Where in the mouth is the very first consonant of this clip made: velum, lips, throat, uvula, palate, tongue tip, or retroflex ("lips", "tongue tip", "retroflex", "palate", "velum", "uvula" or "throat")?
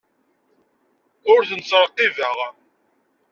tongue tip